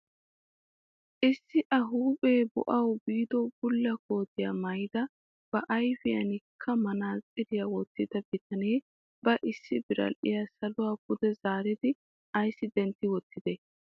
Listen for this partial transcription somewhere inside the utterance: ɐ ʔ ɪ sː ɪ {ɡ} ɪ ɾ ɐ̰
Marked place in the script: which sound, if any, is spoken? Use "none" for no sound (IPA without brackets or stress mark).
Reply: b